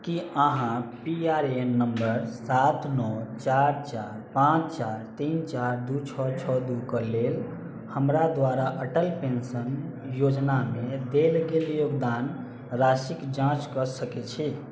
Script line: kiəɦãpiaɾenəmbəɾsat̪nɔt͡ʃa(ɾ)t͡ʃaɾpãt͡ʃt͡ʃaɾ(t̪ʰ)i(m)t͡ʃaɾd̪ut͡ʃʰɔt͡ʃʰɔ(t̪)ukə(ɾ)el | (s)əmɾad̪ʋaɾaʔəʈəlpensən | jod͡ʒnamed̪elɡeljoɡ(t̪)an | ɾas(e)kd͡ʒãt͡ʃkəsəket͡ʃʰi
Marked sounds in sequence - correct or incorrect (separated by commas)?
correct, incorrect, incorrect, incorrect, incorrect, incorrect, incorrect, incorrect